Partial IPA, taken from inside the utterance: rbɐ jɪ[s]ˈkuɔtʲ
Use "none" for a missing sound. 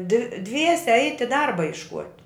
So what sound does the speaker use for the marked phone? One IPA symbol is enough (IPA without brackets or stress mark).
ʃ